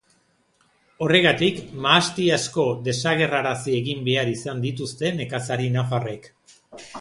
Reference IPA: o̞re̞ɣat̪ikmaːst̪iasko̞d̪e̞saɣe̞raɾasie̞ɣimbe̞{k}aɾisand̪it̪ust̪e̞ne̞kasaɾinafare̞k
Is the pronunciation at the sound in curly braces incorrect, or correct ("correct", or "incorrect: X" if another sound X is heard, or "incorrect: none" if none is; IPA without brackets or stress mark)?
incorrect: none